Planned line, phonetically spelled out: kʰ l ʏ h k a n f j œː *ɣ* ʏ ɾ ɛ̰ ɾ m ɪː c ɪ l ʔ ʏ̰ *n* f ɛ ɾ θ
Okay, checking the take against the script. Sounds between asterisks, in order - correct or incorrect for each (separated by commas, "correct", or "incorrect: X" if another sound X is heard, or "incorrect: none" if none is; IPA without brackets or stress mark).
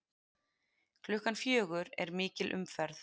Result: correct, incorrect: m